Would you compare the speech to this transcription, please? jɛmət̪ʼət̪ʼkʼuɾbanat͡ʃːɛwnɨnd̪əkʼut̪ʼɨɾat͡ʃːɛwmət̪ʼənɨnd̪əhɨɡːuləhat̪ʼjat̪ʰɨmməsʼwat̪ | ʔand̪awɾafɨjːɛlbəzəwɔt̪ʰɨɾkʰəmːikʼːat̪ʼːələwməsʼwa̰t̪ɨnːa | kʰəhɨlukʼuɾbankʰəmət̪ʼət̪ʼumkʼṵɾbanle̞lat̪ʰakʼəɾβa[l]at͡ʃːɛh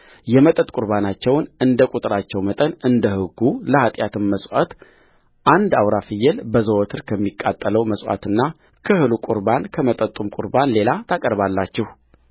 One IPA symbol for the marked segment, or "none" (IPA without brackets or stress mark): lː